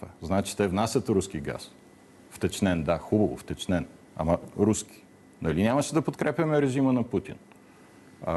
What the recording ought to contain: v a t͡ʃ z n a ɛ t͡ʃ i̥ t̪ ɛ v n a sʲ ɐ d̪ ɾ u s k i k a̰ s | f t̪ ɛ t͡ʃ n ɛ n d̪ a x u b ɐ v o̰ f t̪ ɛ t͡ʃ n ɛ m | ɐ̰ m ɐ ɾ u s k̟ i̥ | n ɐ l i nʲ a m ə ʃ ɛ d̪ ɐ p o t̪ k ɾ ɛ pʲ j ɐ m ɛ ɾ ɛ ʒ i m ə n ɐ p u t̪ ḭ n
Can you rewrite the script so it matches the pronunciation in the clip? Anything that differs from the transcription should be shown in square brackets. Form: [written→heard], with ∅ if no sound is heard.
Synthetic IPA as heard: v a [t͡ʃ→∅] z n a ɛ t͡ʃ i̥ t̪ ɛ v n a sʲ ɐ [d̪→t̪] ɾ u s k i [k→ɡ] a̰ s | f t̪ ɛ t͡ʃ n ɛ n d̪ a x u b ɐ v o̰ f t̪ ɛ t͡ʃ n ɛ [m→n] | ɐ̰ m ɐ ɾ u s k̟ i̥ | n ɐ l i nʲ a m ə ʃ ɛ d̪ ɐ p o t̪ k ɾ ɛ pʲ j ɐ m ɛ ɾ ɛ ʒ i m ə n ɐ p u t̪ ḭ n